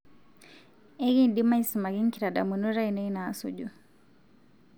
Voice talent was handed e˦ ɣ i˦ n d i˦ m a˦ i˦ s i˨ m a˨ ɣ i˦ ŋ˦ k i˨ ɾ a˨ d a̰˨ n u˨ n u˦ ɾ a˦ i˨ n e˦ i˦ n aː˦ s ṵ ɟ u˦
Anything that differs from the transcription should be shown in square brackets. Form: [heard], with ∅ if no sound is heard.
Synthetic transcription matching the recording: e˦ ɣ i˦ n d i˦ m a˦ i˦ s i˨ m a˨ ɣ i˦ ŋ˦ k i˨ ɾ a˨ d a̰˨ [m] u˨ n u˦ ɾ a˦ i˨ n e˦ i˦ n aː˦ s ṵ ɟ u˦